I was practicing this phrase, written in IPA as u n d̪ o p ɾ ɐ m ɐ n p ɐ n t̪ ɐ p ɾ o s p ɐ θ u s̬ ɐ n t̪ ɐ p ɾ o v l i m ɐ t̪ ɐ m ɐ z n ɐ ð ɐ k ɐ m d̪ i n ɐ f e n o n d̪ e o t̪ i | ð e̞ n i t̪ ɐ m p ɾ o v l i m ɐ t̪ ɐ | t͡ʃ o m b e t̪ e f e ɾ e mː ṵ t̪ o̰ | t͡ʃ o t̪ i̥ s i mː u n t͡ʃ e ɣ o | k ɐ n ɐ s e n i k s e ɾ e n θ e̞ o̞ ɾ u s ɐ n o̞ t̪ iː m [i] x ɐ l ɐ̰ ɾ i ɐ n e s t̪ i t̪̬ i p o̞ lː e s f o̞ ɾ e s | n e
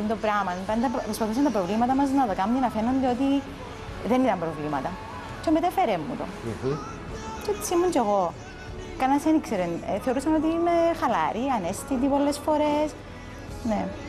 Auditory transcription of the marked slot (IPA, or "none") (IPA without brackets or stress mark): e